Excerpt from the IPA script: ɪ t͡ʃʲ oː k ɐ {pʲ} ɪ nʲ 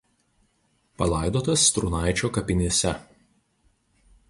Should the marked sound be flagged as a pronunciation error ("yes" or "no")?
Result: no